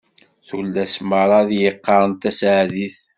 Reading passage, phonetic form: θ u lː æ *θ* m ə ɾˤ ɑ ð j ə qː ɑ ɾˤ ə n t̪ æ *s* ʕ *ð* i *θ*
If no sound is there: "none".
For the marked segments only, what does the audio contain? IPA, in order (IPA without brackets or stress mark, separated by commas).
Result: s, s, ð, θ